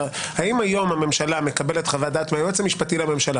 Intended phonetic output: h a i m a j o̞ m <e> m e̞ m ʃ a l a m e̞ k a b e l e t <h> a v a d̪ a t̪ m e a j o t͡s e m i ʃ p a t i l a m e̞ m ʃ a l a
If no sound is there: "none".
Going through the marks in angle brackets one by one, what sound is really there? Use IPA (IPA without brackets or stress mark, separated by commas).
a, χ